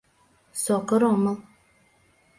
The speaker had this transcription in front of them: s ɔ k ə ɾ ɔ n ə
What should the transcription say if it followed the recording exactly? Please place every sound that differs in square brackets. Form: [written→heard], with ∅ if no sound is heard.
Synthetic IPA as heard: s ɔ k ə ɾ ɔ [n→m] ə